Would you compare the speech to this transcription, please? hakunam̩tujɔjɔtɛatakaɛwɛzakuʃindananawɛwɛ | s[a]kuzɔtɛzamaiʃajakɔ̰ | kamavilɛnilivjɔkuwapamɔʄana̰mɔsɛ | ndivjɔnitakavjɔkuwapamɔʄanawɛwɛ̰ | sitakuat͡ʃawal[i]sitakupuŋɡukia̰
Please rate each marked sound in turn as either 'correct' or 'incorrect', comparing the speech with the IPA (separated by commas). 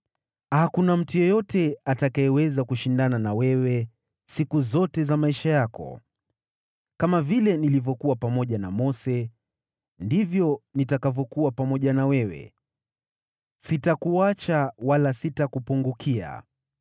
incorrect, incorrect